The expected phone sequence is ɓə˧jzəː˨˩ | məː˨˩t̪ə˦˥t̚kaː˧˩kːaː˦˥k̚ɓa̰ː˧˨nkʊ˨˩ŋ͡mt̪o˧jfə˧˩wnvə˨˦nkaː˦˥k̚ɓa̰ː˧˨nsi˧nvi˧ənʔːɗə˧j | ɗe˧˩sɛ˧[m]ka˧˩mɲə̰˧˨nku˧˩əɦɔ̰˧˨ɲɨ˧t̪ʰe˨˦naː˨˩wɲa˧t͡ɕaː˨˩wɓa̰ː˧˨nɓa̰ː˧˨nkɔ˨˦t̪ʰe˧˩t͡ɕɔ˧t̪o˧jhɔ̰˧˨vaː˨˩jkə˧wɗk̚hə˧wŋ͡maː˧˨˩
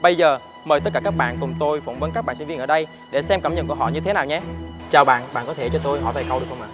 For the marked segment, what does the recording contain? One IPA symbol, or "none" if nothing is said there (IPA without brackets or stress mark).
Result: m